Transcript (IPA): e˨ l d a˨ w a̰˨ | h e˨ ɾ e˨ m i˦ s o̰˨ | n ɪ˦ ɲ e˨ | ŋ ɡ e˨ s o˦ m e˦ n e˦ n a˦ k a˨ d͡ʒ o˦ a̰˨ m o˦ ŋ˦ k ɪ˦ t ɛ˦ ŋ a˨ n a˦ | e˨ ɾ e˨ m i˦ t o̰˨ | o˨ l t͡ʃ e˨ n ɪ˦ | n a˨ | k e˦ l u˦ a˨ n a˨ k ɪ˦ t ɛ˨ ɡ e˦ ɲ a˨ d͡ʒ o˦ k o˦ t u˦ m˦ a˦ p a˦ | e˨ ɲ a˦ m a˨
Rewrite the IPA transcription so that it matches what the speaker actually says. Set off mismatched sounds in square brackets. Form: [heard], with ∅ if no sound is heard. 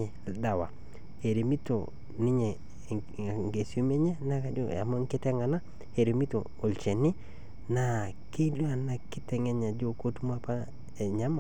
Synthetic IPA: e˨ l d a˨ w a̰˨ | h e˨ ɾ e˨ m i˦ [t] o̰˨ | n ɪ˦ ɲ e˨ | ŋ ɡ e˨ s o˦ m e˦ [ɲ] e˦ n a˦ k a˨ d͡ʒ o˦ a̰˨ m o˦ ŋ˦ k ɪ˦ t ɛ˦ ŋ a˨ n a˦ | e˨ ɾ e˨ m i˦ t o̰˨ | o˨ l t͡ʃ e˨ n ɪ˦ | n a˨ | k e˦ l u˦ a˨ n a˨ k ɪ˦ t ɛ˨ [ŋ] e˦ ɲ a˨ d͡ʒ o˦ k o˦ t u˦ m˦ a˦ p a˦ | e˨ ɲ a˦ m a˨

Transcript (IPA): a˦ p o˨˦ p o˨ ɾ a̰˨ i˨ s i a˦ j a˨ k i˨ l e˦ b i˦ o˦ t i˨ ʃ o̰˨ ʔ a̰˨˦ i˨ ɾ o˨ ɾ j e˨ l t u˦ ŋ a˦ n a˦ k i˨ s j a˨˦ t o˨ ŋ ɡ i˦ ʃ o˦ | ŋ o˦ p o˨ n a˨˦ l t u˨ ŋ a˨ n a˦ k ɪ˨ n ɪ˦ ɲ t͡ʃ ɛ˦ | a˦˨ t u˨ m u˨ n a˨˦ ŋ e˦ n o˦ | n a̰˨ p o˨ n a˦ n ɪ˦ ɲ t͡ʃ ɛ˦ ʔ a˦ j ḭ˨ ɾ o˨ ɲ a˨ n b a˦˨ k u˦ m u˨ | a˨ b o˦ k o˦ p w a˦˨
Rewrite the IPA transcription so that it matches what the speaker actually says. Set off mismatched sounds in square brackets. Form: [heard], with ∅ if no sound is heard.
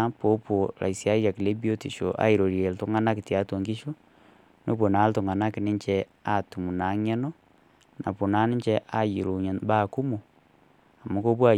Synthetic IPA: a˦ p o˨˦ p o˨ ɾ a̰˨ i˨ s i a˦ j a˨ k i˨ l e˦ b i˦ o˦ t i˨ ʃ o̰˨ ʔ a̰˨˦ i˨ ɾ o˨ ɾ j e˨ l t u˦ ŋ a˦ n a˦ k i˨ [t] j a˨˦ t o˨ ŋ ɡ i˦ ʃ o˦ | [n] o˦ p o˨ n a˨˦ l t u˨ ŋ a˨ n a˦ k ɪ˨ n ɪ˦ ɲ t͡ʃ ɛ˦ | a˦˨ t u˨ m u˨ n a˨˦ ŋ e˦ n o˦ | n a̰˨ p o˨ n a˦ n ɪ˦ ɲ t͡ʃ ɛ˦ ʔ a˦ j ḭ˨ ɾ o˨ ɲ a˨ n b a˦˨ k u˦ m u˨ | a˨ [m] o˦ k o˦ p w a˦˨

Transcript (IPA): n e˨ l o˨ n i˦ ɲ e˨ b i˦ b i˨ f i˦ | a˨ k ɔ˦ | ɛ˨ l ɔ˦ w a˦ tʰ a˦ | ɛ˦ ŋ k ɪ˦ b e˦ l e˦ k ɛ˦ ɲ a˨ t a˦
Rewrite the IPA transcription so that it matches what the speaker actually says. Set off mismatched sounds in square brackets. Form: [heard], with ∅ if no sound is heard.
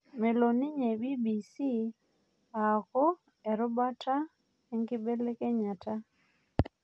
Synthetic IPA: [m] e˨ l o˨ n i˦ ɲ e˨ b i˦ b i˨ [s] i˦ | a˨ k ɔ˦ | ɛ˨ [ɾ] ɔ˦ [b] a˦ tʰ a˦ | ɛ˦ ŋ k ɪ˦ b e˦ l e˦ k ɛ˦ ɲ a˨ t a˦

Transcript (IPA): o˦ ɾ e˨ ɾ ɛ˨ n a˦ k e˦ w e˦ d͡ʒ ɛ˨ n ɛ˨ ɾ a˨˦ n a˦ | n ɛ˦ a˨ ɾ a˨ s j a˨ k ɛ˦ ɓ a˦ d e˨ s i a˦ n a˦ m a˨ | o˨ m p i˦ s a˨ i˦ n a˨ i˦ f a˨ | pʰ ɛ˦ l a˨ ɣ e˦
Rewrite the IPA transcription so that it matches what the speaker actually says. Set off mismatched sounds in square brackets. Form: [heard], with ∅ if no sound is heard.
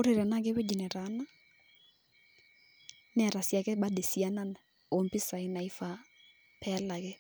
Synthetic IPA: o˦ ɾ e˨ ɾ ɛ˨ n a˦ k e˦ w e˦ d͡ʒ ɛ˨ n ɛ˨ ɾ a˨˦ n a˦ | n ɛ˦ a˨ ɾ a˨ s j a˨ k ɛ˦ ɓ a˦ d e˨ s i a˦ n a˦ [n] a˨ | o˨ m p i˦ s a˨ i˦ n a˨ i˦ f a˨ | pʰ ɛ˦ l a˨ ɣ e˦

